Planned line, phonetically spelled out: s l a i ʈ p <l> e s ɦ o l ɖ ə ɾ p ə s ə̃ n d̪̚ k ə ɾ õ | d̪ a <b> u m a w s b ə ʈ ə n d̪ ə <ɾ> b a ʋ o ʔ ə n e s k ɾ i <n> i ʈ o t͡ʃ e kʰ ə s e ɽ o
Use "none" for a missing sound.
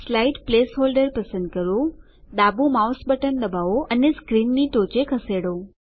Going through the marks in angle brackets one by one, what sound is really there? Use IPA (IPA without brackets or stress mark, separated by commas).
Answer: l, b, none, nː